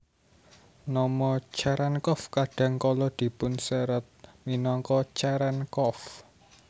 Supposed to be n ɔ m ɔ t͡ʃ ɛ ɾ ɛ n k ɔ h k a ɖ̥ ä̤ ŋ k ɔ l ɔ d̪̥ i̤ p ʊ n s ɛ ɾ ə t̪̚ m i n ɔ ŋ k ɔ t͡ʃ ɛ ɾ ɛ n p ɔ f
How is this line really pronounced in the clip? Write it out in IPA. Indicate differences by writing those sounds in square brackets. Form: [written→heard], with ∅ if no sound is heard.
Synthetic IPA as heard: n ɔ m ɔ t͡ʃ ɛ ɾ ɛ n k ɔ [h→f] k a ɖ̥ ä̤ ŋ k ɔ l ɔ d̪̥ i̤ p ʊ n s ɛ ɾ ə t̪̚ m i n ɔ ŋ k ɔ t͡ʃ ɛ ɾ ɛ n [p→k] ɔ f